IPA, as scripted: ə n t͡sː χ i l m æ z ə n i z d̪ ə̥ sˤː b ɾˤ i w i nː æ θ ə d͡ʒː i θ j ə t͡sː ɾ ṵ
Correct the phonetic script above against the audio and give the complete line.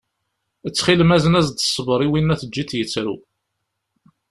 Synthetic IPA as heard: ə t͡sː χ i l m æ z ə n æ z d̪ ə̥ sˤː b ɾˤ i w i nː æ θ ə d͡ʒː i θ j ə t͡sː ɾ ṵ